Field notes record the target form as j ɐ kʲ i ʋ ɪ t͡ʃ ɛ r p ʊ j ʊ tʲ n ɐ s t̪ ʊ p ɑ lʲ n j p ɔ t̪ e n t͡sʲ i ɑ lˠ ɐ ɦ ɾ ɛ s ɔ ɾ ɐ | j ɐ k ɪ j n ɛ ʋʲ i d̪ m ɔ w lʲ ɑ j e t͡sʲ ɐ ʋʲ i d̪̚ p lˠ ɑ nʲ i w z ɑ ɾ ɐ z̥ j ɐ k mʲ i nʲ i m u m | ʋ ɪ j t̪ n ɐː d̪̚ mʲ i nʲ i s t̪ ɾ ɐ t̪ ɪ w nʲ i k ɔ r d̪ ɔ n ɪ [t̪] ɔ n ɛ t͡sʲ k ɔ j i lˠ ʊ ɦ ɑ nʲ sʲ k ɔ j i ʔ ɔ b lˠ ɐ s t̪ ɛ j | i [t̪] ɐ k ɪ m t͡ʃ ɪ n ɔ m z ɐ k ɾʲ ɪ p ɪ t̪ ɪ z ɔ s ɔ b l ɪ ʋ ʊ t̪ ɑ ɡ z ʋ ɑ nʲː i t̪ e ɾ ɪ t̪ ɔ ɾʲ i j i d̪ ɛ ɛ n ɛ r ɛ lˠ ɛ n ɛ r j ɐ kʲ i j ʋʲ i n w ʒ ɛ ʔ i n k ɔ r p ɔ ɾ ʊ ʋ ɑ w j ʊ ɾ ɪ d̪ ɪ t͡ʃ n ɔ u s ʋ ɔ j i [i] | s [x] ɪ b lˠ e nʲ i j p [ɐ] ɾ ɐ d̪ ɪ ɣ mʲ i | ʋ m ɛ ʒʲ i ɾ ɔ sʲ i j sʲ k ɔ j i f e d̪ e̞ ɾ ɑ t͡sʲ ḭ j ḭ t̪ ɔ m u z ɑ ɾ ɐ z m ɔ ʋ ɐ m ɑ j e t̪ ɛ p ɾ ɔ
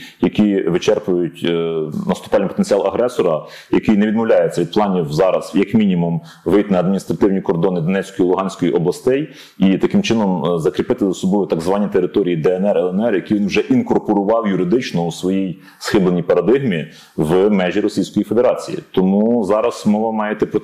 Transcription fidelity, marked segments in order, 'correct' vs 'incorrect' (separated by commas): incorrect, correct, incorrect, correct, correct